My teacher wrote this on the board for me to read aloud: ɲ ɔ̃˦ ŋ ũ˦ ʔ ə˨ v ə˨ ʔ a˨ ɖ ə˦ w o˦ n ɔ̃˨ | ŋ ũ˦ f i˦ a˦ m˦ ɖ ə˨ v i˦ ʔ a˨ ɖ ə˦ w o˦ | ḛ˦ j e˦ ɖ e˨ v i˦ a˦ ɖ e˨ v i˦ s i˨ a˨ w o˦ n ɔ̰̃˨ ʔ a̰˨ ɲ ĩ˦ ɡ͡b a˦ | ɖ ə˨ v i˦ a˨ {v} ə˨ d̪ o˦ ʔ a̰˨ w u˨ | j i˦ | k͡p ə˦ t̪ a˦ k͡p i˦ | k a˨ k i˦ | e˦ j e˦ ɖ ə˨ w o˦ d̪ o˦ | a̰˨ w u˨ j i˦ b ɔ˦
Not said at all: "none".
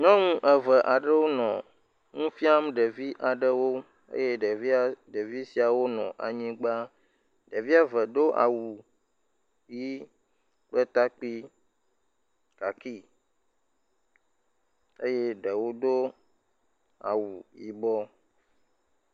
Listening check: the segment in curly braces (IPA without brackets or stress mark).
v